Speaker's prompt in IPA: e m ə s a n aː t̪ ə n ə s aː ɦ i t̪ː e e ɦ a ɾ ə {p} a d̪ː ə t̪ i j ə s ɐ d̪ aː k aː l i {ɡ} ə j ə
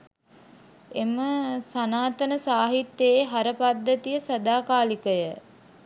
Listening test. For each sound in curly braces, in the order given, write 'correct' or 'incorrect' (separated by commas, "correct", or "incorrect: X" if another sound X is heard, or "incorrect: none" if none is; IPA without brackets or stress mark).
correct, incorrect: k